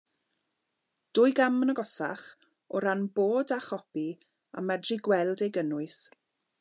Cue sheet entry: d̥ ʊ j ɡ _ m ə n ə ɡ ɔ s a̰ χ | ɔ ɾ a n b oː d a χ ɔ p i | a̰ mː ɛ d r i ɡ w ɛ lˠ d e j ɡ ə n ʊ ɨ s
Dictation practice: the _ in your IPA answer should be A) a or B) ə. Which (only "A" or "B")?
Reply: A